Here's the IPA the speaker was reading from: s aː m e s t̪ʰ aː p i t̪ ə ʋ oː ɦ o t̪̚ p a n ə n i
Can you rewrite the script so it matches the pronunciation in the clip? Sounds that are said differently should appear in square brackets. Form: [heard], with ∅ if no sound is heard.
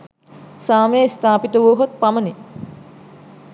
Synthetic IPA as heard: s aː m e s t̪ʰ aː p i t̪ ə ʋ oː ɦ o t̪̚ p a [m] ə n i